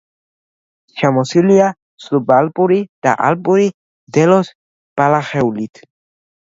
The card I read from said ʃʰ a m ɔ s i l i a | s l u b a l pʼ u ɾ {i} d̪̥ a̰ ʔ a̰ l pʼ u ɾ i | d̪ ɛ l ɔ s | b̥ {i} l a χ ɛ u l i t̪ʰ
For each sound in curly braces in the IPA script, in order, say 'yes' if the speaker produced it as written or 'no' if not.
yes, no

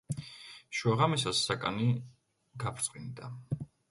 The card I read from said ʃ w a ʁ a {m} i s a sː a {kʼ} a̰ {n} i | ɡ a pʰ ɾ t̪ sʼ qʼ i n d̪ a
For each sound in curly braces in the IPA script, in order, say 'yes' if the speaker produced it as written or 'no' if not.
yes, yes, yes

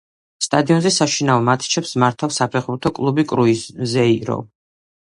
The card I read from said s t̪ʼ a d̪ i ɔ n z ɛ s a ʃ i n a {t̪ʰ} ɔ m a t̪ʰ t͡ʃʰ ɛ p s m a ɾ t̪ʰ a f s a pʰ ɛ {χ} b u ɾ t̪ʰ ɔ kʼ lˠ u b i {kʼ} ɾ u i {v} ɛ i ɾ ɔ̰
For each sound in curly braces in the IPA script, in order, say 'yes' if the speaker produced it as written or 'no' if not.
no, yes, yes, no

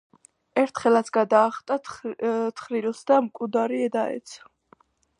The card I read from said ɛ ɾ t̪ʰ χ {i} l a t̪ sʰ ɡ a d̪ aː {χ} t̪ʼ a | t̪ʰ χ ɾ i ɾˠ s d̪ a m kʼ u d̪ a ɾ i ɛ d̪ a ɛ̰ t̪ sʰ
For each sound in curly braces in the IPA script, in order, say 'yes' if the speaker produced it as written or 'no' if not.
no, yes

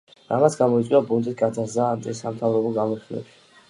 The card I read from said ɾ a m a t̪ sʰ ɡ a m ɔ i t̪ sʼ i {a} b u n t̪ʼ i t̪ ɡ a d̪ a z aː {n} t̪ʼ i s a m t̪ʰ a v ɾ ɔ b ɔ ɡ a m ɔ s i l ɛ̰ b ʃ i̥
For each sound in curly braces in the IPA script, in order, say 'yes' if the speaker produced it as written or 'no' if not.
yes, yes

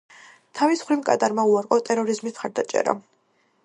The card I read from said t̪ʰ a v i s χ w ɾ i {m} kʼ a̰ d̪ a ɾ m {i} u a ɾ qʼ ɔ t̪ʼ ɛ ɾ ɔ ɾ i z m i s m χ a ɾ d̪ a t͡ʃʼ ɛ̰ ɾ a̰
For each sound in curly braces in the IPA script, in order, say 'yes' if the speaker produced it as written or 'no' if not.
yes, no

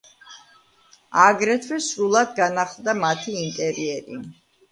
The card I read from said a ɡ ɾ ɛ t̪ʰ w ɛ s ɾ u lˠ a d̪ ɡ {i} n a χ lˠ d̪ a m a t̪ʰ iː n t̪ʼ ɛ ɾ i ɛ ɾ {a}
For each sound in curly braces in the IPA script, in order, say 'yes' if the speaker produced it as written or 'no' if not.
no, no

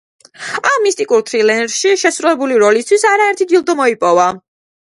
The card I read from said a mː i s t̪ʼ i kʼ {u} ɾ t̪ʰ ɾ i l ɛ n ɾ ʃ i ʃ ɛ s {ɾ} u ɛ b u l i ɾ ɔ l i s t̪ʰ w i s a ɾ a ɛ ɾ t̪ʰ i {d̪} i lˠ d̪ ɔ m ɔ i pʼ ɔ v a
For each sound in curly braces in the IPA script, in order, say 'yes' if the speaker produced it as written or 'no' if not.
yes, yes, yes

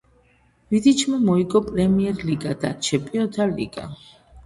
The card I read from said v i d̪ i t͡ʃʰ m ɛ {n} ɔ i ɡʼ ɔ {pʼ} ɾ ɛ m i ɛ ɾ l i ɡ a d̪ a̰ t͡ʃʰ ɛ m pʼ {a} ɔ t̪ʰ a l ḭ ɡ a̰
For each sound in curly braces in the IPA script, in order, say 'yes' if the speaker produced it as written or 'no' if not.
no, yes, no

